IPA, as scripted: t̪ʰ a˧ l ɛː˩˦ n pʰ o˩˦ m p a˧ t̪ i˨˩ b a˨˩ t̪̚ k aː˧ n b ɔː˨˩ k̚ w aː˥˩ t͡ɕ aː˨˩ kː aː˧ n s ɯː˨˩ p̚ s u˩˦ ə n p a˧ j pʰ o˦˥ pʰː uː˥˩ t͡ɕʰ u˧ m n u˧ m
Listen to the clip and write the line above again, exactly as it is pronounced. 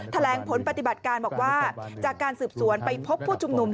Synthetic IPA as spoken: t̪ʰ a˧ l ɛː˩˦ ŋ pʰ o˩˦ n p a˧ t̪ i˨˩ b a˨˩ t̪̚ k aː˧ n b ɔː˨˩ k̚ w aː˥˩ t͡ɕ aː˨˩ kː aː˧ n s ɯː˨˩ p̚ s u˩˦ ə n p a˧ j pʰ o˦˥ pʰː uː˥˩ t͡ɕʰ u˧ m n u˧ m